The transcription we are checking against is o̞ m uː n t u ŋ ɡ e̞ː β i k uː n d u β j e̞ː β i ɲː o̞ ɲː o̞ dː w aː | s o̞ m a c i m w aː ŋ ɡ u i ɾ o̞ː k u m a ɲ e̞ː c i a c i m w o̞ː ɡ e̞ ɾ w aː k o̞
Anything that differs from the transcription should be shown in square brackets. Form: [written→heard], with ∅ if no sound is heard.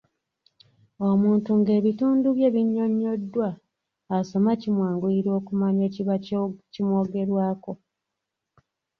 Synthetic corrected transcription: o̞ m uː n t u ŋ ɡ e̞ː β i [k→t] uː n d u β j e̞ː β i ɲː o̞ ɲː o̞ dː w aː | s o̞ m a c i m w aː ŋ ɡ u i ɾ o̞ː k u m a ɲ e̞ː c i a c i m w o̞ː ɡ e̞ ɾ w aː k o̞